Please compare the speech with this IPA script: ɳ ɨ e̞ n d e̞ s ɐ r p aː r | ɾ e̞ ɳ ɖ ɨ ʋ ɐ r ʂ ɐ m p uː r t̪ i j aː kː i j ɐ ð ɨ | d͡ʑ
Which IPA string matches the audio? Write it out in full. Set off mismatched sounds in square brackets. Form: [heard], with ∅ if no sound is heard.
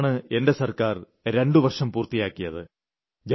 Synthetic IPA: ɳ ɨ e̞ n d e̞ s ɐ r [k] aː r | ɾ e̞ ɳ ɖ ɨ ʋ ɐ r ʂ ɐ m p uː r t̪ i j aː kː i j ɐ ð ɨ | d͡ʑ